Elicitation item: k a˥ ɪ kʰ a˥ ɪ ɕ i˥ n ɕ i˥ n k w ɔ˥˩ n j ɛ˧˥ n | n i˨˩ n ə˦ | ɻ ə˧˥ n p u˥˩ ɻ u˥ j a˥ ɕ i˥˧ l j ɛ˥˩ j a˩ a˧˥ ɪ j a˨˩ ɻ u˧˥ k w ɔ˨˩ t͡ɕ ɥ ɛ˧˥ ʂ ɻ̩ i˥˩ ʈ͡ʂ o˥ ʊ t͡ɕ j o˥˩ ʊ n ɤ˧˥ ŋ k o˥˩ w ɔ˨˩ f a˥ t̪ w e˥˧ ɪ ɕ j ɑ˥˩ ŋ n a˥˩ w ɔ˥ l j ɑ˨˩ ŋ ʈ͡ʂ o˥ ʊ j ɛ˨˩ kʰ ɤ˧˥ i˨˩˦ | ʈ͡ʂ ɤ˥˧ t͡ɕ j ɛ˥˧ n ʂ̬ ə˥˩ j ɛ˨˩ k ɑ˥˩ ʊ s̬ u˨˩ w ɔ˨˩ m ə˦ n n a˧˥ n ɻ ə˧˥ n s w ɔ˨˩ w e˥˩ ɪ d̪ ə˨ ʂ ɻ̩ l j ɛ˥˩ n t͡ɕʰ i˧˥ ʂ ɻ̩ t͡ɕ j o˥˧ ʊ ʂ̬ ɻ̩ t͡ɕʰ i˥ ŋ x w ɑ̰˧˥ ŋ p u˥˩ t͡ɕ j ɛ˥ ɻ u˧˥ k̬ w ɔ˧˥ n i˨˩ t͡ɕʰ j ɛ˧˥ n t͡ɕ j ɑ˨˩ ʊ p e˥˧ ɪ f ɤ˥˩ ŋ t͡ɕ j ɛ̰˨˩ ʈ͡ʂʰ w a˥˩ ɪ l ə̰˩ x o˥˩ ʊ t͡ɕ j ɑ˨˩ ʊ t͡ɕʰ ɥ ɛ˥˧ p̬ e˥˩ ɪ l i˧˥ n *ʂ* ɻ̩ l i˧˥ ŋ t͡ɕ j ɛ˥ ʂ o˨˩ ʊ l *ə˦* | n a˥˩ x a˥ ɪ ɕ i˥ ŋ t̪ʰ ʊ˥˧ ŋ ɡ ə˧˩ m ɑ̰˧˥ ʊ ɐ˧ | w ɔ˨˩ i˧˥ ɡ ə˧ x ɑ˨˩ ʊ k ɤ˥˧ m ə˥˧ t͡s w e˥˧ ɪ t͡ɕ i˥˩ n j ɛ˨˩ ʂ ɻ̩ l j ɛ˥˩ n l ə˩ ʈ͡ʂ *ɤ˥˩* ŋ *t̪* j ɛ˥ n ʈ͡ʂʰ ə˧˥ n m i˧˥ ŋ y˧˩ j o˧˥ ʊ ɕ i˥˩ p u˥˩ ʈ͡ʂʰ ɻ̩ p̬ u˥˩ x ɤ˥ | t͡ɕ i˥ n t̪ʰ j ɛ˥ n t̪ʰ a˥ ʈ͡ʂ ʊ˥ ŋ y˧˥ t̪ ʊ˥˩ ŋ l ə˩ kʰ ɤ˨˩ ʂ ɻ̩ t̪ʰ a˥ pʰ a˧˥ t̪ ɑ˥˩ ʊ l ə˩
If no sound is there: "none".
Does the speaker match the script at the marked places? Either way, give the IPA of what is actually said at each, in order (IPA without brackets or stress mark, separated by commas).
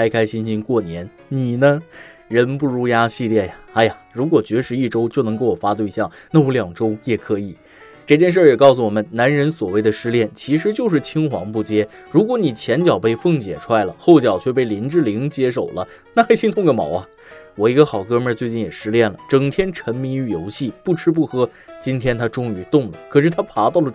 ʈ͡ʂ, ə˦, ɤ˨˩, t̪ʰ